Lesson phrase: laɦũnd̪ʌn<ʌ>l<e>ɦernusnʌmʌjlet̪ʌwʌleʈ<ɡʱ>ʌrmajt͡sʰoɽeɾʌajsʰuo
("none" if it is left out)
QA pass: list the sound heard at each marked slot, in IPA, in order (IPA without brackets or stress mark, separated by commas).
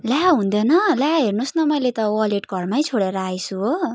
ʌ, a, ɡʱ